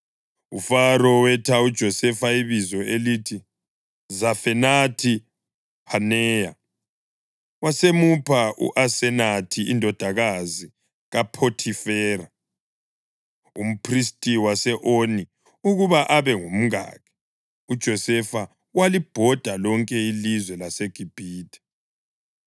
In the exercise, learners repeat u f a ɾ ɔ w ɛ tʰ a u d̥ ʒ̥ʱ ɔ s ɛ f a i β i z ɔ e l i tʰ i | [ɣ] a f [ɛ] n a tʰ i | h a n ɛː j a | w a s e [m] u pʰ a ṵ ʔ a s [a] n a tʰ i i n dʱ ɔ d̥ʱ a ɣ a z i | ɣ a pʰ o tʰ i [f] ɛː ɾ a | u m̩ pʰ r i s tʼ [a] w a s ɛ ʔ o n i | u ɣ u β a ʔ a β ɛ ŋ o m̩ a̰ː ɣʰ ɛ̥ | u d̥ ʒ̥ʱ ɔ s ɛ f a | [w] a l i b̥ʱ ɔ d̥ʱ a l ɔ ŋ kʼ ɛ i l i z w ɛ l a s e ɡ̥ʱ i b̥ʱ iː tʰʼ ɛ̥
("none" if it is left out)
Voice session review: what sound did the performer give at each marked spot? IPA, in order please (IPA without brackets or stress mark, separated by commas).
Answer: z, ɛ, m, ɛ, f, i, w